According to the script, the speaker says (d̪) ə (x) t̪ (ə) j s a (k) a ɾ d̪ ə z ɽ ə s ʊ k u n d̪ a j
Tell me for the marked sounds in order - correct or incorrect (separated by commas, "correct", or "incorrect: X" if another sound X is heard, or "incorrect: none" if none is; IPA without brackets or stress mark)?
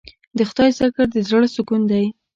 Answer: correct, correct, incorrect: ɑ, correct